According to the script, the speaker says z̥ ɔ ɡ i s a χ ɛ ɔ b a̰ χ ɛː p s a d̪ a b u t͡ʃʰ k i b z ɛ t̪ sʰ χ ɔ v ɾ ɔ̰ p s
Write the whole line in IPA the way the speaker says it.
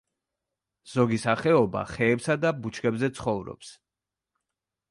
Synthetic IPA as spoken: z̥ ɔ ɡ i s a χ ɛ ɔ b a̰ χ ɛː p s a d̪ a b u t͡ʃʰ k ɛ b z ɛ t̪ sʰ χ ɔ v ɾ ɔ̰ p s